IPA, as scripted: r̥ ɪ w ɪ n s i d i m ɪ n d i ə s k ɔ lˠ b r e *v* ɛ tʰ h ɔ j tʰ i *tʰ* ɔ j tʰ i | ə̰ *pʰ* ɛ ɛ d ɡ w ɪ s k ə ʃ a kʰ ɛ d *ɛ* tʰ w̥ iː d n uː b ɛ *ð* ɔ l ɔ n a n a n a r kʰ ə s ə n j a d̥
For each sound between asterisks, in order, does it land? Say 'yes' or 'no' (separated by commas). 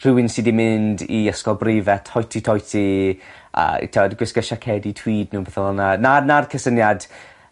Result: yes, yes, no, no, no